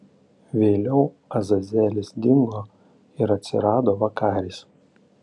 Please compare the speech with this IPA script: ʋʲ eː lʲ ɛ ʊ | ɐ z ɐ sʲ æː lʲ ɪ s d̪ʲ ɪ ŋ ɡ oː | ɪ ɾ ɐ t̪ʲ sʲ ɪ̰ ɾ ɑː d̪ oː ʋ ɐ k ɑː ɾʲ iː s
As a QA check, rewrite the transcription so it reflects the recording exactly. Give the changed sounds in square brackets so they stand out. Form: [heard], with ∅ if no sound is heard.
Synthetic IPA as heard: ʋʲ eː lʲ ɛ ʊ | ɐ z ɐ [zʲ] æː lʲ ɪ s d̪ʲ ɪ ŋ ɡ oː | ɪ ɾ ɐ t̪ʲ sʲ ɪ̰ ɾ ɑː d̪ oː ʋ ɐ k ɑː ɾʲ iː s

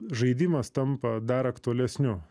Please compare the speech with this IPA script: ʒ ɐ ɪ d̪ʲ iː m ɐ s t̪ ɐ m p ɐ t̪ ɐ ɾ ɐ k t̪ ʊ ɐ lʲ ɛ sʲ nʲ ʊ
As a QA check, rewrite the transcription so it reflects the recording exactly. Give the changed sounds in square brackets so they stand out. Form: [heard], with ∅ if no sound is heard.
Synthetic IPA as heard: ʒ ɐ ɪ d̪ʲ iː m ɐ s t̪ ɐ m p ɐ [d̪] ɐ ɾ ɐ k t̪ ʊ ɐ lʲ ɛ sʲ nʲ ʊ

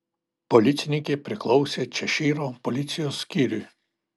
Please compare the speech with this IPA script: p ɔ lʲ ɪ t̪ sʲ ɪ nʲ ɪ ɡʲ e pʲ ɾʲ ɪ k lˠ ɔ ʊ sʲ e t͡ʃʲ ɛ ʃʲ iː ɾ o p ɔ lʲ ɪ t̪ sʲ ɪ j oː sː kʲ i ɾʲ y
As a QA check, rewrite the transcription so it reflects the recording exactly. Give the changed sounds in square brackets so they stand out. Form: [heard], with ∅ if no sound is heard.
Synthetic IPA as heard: p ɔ lʲ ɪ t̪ sʲ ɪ nʲ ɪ [kʲ] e pʲ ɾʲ ɪ k lˠ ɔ ʊ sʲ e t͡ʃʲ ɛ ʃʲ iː ɾ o p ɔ lʲ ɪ t̪ sʲ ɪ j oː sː kʲ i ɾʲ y

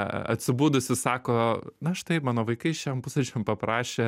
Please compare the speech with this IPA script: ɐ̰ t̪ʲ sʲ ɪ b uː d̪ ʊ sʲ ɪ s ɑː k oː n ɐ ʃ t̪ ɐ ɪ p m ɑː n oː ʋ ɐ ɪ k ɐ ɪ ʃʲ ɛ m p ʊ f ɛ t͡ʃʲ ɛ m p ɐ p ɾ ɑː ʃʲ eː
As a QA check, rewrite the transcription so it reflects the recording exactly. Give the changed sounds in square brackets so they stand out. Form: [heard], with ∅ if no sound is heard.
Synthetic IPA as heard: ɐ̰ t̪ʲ sʲ ɪ b uː d̪ ʊ sʲ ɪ s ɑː k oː n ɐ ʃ t̪ ɐ ɪ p m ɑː n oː ʋ ɐ ɪ k ɐ ɪ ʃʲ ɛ m p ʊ [s] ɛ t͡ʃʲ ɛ m p ɐ p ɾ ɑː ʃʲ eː

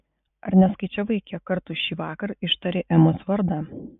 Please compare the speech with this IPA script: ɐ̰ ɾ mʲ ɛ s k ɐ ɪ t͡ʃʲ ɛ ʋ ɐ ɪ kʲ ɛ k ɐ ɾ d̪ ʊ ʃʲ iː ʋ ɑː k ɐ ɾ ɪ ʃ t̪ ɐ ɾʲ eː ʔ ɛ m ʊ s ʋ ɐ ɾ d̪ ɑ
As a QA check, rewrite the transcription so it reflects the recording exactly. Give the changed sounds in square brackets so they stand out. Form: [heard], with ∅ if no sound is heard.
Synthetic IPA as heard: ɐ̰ ɾ [nʲ] ɛ s k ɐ ɪ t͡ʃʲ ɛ ʋ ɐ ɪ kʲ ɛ k ɐ ɾ [t̪] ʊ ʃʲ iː ʋ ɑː k ɐ ɾ ɪ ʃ t̪ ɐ ɾʲ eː ʔ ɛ m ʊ s ʋ ɐ ɾ d̪ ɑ

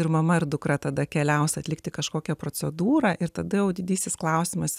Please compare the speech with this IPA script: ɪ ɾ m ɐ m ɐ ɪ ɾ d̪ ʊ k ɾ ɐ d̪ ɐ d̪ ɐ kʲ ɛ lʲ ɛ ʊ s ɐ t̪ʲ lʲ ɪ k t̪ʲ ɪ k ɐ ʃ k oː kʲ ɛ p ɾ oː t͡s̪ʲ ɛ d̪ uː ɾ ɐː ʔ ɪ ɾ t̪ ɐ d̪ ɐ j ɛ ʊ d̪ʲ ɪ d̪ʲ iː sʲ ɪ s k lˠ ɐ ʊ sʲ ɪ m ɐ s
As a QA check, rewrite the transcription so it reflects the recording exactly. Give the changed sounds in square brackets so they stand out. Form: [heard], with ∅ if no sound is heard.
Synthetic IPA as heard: ɪ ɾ m ɐ m ɐ ɪ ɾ d̪ ʊ k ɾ ɐ [t̪] ɐ d̪ ɐ kʲ ɛ lʲ ɛ ʊ s ɐ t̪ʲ lʲ ɪ k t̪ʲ ɪ k ɐ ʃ k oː kʲ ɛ p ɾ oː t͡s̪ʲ ɛ d̪ uː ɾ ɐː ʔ ɪ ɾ t̪ ɐ d̪ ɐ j ɛ ʊ d̪ʲ ɪ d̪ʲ iː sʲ ɪ s k lˠ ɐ ʊ sʲ ɪ m ɐ s

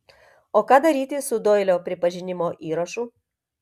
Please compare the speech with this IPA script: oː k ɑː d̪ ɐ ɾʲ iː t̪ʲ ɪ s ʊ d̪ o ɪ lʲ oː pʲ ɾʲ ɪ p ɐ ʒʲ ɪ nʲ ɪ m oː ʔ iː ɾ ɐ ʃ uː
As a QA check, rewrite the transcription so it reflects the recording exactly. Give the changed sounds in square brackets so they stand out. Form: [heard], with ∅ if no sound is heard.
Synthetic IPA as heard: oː k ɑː d̪ ɐ ɾʲ iː t̪ʲ ɪ s ʊ d̪ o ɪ lʲ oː pʲ ɾʲ ɪ p ɐ ʒʲ ɪ nʲ ɪ m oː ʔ iː ɾ ɐ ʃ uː

